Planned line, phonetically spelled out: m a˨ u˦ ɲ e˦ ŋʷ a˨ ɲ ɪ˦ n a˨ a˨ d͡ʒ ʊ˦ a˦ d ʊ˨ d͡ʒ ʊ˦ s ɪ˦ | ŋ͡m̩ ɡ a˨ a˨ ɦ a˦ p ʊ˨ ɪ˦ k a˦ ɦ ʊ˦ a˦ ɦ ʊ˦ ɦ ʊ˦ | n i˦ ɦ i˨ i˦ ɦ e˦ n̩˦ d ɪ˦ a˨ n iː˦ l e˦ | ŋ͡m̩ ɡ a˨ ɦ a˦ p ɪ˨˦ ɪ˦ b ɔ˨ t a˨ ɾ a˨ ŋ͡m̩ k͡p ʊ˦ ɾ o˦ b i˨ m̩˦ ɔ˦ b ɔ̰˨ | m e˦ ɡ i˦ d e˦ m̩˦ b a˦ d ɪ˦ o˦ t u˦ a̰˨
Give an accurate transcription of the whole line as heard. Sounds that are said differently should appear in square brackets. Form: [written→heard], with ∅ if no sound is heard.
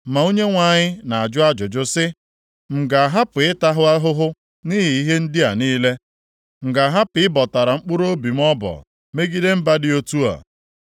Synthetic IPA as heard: m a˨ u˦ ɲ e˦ ŋʷ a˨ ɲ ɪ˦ n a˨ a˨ d͡ʒ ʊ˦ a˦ [d→d͡ʒ] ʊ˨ d͡ʒ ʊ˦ s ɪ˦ | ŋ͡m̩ ɡ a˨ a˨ ɦ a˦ p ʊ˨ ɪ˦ [k→t] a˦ ɦ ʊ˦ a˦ ɦ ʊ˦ ɦ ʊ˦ | n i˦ ɦ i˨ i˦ ɦ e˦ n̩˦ d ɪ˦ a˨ n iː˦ l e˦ | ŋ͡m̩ ɡ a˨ ɦ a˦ p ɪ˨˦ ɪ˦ b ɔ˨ t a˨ ɾ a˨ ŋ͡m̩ k͡p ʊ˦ ɾ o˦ b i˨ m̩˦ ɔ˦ b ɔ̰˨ | m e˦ ɡ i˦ d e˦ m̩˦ b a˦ d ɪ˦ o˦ t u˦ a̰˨